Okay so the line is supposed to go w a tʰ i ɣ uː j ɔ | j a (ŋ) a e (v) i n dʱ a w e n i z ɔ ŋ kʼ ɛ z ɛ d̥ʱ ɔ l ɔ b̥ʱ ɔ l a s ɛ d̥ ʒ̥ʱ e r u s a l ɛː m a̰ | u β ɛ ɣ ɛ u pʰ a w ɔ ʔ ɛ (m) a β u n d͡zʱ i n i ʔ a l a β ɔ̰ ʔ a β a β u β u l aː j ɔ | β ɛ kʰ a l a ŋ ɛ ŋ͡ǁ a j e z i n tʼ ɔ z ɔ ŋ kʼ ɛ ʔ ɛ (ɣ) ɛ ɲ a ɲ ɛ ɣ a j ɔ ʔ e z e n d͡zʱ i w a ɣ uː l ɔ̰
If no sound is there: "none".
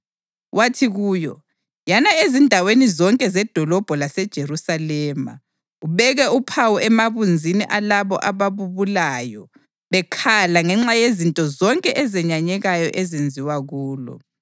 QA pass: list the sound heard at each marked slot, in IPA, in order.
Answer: n, z, m, z

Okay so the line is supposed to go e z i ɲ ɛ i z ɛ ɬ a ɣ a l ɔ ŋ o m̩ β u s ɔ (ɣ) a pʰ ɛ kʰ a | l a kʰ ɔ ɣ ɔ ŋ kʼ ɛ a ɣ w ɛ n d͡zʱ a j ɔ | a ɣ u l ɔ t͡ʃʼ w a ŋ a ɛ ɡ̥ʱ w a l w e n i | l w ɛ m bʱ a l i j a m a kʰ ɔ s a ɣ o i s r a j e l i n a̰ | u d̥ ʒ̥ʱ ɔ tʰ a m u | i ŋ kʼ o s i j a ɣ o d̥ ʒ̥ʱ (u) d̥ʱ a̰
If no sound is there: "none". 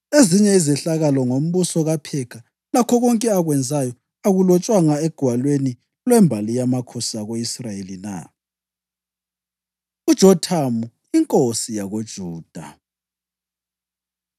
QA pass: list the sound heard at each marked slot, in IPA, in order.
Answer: ɣ, uː

